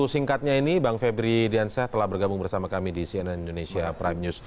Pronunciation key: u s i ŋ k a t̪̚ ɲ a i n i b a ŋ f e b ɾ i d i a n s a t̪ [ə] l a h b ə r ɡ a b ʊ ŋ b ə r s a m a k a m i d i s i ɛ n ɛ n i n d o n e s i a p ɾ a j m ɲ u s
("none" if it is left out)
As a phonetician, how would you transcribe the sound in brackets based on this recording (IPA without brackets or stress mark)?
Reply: ə